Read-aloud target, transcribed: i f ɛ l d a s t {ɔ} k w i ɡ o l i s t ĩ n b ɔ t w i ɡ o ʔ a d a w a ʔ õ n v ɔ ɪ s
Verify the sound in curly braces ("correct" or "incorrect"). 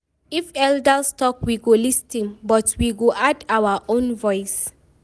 correct